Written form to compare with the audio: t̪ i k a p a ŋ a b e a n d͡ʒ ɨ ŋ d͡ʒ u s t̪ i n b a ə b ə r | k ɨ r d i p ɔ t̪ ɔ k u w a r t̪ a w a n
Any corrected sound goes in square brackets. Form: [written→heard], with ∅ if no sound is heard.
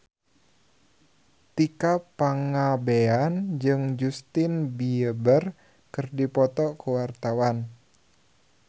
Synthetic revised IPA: t̪ i k a p a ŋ a b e a n d͡ʒ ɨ ŋ d͡ʒ u s t̪ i n b [a→i] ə b ə r | k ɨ r d i p ɔ t̪ ɔ k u w a r t̪ a w a n

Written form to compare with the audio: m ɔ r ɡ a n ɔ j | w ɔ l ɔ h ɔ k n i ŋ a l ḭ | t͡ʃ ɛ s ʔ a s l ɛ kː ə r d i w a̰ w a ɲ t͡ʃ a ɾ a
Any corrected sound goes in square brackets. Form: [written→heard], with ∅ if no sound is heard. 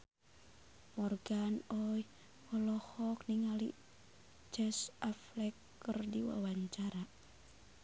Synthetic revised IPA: m ɔ r ɡ a n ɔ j | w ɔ l ɔ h ɔ k n i ŋ a l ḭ | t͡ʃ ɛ s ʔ a [s→f] l ɛ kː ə r d i w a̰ w a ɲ t͡ʃ a ɾ a

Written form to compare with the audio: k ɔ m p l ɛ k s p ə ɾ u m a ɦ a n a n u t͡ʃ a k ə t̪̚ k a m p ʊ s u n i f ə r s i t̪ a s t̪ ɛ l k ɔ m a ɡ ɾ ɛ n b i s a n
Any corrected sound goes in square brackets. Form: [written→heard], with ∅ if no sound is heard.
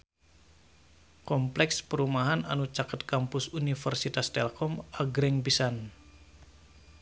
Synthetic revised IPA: k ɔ m p l ɛ k s p ə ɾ u m a ɦ a n a n u t͡ʃ a k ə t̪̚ k a m p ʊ s u n i f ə r s i t̪ a s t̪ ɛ l k ɔ m a ɡ ɾ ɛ [n→ŋ] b i s a n

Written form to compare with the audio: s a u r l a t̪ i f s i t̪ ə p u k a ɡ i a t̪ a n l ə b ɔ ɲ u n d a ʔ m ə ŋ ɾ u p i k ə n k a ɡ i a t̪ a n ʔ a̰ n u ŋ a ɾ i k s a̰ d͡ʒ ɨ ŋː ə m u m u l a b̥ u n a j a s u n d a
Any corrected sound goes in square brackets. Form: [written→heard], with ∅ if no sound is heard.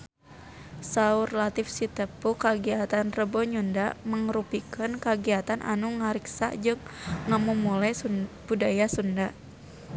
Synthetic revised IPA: s a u r l a t̪ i f s i t̪ ə p u k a ɡ i a t̪ a n [l→r] ə b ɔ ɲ u n d a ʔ m ə ŋ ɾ u p i k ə n k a ɡ i a t̪ a n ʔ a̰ n u ŋ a ɾ i k s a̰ d͡ʒ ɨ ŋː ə m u m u l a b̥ u [n→d] a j a s u n d a

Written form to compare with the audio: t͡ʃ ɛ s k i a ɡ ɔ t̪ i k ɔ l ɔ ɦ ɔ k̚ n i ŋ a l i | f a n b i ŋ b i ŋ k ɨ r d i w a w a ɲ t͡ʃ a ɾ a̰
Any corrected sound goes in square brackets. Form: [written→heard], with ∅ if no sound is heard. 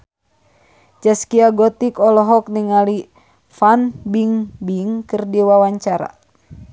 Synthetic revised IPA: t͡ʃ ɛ s k i a ɡ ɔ t̪ i k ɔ l ɔ ɦ ɔ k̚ n i ŋ a l i | f a n b i ŋ b i ŋ k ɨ r d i w a w a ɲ t͡ʃ a ɾ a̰

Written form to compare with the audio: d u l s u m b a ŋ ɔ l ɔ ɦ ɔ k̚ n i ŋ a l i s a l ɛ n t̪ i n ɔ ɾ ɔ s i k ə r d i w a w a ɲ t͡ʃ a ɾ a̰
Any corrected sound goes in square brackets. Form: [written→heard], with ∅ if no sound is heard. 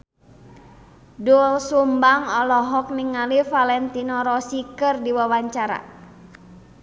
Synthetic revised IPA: d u l s u m b a ŋ ɔ l ɔ ɦ ɔ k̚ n i ŋ a l i [s→f] a l ɛ n t̪ i n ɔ ɾ ɔ s i k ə r d i w a w a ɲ t͡ʃ a ɾ a̰

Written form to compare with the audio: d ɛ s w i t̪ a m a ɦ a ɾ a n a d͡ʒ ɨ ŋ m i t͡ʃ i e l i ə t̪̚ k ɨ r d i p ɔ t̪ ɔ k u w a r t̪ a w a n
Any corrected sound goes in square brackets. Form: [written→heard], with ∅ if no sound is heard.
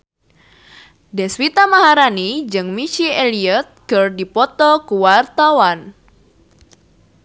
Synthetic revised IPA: d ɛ s w i t̪ a m a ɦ a ɾ a n [a→i] d͡ʒ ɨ ŋ m i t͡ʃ i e l i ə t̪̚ k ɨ r d i p ɔ t̪ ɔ k u w a r t̪ a w a n

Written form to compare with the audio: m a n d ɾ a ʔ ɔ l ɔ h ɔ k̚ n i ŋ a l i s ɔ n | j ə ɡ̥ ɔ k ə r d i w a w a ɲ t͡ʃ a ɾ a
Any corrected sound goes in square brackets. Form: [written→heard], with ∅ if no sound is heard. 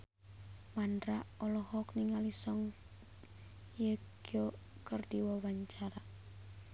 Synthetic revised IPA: m a n d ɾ a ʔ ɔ l ɔ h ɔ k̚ n i ŋ a l i s ɔ [n→ŋ] | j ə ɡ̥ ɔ k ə r d i w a w a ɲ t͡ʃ a ɾ a

